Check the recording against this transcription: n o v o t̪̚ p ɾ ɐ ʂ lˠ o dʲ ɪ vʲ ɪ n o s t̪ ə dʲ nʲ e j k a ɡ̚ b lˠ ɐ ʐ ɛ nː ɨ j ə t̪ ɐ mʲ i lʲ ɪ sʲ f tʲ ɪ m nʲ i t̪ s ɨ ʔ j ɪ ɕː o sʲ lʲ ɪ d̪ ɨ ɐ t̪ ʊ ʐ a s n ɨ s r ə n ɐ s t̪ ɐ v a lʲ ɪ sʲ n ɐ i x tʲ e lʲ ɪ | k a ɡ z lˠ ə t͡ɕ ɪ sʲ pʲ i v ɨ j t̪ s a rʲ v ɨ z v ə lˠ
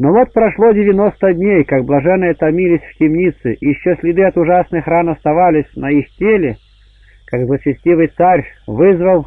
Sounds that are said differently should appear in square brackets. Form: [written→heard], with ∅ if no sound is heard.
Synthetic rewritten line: n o v o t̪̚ p ɾ ɐ ʂ lˠ o dʲ ɪ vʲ ɪ n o s t̪ ə dʲ nʲ e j k a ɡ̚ b lˠ ɐ ʐ ɛ nː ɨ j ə t̪ ɐ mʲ i lʲ ɪ sʲ f tʲ ɪ m nʲ i t̪ s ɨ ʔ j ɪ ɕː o sʲ lʲ ɪ d̪ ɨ ɐ t̪ ʊ ʐ a s n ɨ [s→x] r [ə→a] n ɐ s t̪ ɐ v a lʲ ɪ sʲ n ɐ i x tʲ e lʲ ɪ | k a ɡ z lˠ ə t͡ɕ ɪ sʲ [pʲ→tʲ] i v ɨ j t̪ s a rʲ v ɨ z v ə lˠ